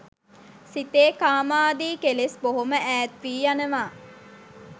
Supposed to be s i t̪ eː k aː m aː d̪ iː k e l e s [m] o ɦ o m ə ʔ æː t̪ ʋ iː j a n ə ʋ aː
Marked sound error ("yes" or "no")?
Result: yes